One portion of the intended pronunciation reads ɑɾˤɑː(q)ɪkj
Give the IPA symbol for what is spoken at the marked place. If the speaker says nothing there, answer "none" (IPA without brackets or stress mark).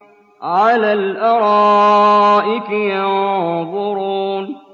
ʔ